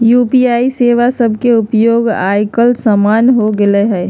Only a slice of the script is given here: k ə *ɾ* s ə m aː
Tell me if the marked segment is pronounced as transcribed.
no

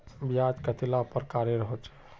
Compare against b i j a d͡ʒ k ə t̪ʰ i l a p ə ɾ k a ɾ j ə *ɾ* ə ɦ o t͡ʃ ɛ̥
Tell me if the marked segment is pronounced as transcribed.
yes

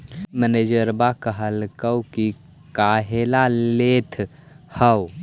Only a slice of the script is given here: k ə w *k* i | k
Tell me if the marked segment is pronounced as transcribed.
yes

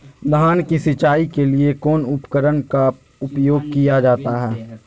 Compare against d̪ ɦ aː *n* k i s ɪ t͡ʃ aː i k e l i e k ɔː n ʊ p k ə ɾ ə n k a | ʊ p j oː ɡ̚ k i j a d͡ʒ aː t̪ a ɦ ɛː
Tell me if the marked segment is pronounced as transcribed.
yes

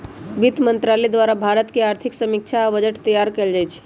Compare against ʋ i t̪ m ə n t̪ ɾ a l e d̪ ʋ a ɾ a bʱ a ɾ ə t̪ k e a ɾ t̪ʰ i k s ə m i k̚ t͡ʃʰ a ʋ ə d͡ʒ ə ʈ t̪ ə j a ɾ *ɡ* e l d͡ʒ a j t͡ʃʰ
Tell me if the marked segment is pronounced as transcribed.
no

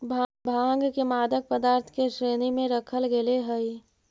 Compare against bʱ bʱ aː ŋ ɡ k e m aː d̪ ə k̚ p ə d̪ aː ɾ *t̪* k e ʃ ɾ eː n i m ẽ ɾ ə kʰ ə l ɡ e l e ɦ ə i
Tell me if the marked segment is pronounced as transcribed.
no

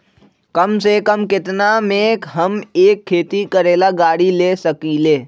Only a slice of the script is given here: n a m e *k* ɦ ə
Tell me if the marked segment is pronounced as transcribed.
yes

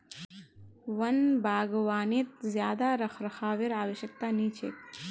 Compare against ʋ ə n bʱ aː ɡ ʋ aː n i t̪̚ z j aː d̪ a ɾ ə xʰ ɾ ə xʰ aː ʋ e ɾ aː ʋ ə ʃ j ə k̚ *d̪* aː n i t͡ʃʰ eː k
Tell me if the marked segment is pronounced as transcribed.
no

